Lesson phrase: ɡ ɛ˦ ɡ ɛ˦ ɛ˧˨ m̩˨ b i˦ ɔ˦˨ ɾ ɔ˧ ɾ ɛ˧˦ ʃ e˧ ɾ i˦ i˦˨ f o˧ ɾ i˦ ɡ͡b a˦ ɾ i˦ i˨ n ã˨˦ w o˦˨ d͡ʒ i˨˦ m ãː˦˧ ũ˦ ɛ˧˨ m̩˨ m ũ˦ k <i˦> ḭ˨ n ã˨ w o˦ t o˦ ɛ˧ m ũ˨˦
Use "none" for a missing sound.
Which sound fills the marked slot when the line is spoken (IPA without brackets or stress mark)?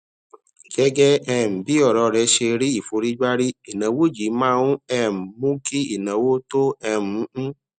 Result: i˦